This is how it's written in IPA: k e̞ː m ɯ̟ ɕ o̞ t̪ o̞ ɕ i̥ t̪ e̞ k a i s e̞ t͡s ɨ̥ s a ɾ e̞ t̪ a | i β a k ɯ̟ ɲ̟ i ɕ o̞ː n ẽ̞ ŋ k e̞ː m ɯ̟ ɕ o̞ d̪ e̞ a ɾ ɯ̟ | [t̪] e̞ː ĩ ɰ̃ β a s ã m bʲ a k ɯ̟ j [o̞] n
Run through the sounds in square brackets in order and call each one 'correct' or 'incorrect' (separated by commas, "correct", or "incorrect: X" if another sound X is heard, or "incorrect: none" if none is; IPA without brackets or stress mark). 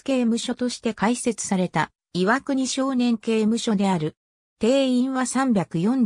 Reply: correct, incorrect: õ̞